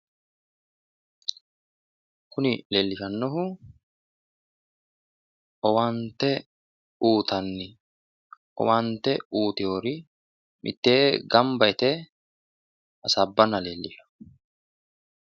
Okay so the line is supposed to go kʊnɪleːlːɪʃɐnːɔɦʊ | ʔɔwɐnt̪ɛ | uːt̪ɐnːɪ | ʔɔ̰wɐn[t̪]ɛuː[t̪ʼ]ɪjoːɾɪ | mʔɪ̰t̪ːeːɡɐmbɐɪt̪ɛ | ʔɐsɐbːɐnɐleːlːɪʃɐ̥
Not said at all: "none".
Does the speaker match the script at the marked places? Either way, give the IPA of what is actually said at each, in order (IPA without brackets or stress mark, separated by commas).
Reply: t̪, t̪